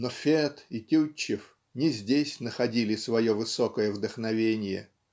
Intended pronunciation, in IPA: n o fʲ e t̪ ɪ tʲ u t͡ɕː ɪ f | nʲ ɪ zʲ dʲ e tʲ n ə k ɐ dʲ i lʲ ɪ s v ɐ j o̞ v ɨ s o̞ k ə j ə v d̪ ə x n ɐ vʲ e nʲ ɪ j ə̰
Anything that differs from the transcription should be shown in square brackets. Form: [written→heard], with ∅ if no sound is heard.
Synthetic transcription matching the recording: n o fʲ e t̪ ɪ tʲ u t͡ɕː ɪ f | nʲ ɪ zʲ dʲ e [tʲ→sʲ] n ə [k→x] ɐ dʲ i lʲ ɪ s v ɐ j o̞ v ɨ s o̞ k ə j ə v d̪ ə x n ɐ vʲ e nʲ ɪ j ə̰